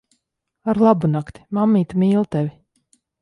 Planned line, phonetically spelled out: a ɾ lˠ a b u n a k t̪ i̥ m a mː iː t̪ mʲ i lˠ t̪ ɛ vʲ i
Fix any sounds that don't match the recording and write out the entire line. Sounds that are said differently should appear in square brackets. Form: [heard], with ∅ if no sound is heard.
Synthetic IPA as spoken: a ɾ lˠ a b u n a k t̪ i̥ m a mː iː t̪ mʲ [iː] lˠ t̪ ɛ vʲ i